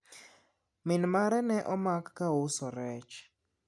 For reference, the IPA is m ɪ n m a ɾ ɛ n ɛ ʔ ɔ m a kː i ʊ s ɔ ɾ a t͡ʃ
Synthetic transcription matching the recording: m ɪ n m a ɾ ɛ n ɛ ʔ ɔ m a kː a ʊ s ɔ ɾ ɛ t͡ʃ